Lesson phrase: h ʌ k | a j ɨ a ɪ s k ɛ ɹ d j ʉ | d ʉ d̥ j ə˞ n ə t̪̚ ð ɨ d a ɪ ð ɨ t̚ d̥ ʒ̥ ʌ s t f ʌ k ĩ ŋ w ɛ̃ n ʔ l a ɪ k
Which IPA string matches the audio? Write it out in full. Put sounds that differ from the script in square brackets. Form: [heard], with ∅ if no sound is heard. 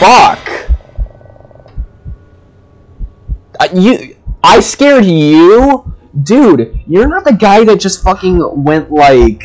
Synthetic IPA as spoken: [f] ʌ k | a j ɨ a ɪ s k ɛ ɹ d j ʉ | d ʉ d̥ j ə˞ n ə t̪̚ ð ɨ [ɡ] a ɪ ð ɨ t̚ d̥ ʒ̥ ʌ s t f ʌ k [ɪ̃] ŋ w ɛ̃ n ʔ l a ɪ k